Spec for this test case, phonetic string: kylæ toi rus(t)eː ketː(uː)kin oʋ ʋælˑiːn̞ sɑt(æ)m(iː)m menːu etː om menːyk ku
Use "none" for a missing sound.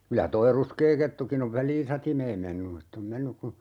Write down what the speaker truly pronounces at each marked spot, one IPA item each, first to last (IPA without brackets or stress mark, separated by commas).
k, u, i, eː